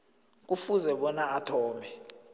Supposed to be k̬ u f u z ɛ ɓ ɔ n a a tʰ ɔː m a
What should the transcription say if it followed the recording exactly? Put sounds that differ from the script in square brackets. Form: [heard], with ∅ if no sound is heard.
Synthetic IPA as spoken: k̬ u f u z ɛ ɓ ɔ n a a tʰ ɔː m [ɛ]